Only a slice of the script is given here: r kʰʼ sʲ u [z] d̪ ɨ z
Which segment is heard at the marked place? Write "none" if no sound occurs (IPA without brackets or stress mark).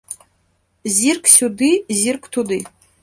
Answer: none